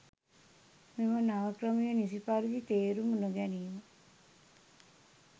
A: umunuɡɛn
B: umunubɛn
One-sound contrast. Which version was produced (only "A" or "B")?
A